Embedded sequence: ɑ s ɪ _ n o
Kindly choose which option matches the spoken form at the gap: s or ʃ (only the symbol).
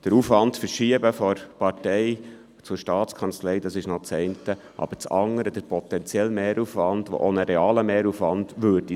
ʃ